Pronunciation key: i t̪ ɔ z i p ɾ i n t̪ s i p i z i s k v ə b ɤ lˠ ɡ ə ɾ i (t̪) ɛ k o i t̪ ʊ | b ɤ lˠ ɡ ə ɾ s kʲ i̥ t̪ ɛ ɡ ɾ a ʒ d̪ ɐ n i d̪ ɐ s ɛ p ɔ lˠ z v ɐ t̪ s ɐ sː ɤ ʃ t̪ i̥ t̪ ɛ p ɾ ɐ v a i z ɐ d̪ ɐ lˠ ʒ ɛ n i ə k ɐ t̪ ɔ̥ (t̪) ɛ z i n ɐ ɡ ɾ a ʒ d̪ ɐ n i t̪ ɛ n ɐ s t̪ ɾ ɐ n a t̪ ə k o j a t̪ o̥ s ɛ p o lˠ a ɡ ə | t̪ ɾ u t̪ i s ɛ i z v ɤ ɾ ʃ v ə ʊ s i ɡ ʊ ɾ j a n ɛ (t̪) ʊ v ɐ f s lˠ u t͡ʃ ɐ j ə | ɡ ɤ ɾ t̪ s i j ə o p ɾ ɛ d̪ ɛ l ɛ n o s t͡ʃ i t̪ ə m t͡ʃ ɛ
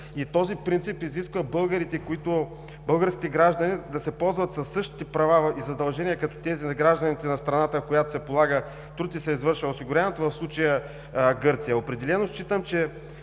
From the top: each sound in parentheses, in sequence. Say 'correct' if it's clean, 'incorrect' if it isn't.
correct, correct, correct

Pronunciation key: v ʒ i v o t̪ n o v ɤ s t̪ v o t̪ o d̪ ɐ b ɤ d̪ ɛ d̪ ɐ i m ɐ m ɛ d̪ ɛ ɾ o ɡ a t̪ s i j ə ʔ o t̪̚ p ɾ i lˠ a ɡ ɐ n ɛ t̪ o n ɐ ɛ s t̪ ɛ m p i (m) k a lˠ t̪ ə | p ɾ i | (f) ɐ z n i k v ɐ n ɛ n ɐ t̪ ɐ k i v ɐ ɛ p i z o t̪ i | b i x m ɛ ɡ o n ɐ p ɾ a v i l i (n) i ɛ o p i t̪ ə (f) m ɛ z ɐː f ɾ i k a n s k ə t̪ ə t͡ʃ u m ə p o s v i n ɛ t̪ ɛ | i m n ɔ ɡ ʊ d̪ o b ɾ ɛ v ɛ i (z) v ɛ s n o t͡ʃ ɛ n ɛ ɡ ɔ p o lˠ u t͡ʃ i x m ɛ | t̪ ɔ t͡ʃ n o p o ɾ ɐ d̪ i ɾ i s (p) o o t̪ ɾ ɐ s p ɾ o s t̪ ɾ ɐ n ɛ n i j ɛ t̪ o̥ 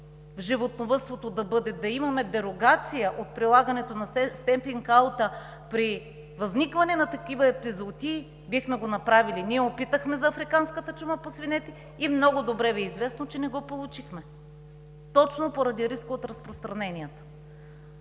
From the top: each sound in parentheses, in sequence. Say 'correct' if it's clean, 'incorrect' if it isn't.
incorrect: ŋ, incorrect: v, correct, incorrect: x, correct, incorrect: k

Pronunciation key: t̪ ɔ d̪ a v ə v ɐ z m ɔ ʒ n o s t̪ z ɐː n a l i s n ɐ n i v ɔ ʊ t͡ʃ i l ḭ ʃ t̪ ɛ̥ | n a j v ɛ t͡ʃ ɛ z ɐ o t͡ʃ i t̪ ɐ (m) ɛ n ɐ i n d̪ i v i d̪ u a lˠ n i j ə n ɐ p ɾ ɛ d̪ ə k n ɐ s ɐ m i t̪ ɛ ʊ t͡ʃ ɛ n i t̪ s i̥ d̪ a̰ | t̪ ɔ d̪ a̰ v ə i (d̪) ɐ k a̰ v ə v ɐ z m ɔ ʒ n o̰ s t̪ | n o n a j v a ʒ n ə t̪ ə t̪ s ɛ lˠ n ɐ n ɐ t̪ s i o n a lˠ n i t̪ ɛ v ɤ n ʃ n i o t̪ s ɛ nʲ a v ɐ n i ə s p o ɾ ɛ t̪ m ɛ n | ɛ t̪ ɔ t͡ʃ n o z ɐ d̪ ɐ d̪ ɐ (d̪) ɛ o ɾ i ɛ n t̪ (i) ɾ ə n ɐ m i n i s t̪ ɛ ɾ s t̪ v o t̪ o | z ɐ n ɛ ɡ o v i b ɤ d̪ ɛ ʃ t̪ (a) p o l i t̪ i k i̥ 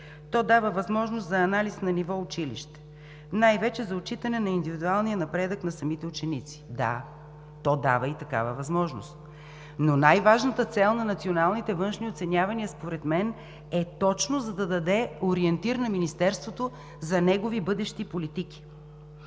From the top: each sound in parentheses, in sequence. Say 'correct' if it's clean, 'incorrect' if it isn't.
incorrect: n, incorrect: t̪, correct, correct, incorrect: i

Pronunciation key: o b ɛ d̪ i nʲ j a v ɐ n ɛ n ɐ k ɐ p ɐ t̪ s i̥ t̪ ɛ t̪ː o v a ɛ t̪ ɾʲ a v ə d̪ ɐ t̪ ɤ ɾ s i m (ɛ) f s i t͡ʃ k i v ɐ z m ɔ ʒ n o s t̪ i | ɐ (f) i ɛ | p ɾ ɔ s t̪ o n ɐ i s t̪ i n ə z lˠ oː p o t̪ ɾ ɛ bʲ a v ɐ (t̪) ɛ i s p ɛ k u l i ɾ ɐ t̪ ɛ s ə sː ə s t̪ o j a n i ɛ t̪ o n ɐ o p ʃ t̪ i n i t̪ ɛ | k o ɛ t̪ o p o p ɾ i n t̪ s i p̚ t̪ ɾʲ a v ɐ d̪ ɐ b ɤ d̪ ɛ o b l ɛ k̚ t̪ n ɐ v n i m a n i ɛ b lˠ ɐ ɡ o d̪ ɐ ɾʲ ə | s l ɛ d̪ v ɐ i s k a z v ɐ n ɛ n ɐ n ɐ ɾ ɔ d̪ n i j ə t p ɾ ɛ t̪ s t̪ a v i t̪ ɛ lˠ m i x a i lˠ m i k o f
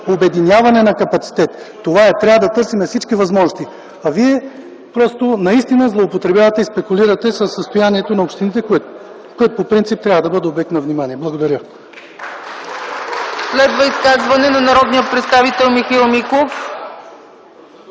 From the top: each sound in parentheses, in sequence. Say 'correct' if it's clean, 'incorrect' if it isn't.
correct, incorrect: v, correct

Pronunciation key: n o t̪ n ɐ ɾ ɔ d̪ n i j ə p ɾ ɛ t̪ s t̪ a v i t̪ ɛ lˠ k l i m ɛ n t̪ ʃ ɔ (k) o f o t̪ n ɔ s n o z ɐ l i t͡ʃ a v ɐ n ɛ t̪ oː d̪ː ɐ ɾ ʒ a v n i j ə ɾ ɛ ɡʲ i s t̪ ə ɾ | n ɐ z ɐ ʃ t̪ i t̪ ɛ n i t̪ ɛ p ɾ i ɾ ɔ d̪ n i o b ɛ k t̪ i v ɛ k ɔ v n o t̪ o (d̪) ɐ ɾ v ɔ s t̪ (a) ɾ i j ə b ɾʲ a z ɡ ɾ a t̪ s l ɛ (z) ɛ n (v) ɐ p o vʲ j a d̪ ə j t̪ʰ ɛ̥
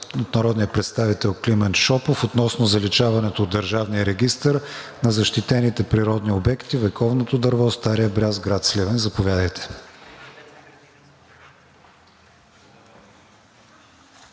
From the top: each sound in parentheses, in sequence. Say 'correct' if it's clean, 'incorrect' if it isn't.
incorrect: p, correct, correct, incorrect: v, incorrect: z

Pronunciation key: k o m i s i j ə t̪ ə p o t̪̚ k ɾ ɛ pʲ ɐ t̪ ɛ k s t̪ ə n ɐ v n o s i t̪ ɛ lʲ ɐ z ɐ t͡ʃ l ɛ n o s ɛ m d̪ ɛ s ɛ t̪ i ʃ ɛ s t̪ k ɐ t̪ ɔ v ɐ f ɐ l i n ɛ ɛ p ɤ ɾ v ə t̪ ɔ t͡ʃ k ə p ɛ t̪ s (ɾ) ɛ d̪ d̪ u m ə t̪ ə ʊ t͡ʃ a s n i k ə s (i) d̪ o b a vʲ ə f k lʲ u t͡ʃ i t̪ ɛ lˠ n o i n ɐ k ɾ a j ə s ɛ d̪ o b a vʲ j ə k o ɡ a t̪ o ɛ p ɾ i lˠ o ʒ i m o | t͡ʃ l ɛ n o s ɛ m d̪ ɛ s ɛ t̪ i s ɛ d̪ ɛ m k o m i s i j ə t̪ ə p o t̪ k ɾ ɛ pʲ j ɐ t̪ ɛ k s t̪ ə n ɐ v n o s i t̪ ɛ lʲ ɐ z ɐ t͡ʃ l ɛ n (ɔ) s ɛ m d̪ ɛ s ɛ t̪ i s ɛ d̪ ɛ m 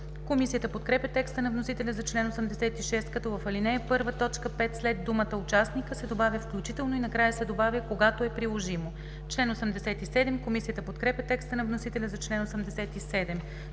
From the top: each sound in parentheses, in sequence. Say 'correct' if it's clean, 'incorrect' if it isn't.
incorrect: l, incorrect: ɛ, incorrect: o

